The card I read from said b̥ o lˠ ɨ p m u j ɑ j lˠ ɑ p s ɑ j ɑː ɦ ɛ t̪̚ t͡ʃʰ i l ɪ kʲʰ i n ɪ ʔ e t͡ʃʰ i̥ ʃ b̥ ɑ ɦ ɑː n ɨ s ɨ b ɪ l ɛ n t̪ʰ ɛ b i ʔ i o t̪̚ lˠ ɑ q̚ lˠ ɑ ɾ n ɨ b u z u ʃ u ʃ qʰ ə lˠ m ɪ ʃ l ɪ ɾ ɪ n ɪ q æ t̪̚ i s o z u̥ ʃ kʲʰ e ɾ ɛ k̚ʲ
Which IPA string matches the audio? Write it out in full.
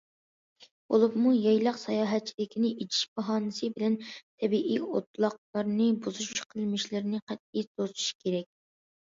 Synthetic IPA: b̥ o lˠ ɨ p m u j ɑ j lˠ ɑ q s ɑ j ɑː ɦ ɛ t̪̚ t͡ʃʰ i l ɪ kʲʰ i n ɪ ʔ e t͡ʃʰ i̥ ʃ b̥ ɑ ɦ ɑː n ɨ s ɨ b ɪ l ɛ n t̪ʰ ɛ b i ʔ i o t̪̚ lˠ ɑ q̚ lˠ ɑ ɾ n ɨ b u z u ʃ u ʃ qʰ ə lˠ m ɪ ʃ l ɪ ɾ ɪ n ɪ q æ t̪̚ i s o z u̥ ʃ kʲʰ e ɾ ɛ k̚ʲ